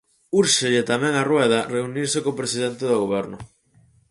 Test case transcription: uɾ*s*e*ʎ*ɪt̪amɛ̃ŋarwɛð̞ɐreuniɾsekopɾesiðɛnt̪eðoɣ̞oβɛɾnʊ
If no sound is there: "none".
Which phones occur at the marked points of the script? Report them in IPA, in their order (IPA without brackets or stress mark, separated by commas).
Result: ʃ, ʎ